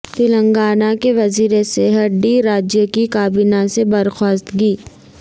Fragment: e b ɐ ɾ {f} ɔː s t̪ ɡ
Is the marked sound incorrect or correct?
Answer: incorrect